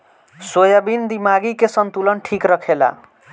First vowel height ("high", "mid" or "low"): mid